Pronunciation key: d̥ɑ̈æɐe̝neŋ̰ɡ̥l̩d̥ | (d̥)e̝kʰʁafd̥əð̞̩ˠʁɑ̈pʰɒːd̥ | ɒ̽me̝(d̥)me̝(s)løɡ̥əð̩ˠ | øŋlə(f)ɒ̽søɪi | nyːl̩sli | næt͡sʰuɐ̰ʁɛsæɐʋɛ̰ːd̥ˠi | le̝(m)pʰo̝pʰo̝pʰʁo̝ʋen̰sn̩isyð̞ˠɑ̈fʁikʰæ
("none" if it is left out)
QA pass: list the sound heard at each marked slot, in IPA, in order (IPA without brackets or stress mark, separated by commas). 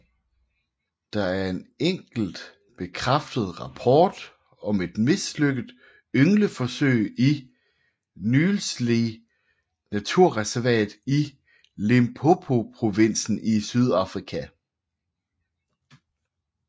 b̥, d̥, s, f, m